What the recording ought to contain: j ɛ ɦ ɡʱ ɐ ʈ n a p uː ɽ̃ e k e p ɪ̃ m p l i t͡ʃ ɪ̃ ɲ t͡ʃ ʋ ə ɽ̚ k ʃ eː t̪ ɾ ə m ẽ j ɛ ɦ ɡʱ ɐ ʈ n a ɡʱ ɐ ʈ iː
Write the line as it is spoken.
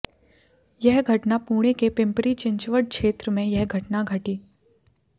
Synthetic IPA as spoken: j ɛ ɦ ɡʱ ɐ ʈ n a p uː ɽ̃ e k e p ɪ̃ m p ɾ i t͡ʃ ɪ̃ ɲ t͡ʃ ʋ ə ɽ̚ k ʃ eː t̪ ɾ ə m ẽ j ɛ ɦ ɡʱ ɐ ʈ n a ɡʱ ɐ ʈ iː